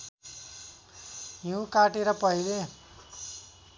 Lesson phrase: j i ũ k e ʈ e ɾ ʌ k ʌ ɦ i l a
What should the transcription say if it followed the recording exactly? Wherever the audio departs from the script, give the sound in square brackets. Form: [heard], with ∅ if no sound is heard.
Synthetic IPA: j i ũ k [a] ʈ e ɾ ʌ [p] ʌ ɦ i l [e]